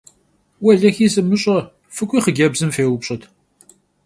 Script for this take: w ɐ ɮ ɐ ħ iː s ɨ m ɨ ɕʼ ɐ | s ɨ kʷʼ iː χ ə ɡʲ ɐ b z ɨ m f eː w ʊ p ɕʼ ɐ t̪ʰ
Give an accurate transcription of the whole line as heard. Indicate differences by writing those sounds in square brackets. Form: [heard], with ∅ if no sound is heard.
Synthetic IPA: w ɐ ɮ ɐ [x] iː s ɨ m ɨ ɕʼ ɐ | [f] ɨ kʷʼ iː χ ə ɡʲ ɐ b z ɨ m f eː w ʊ p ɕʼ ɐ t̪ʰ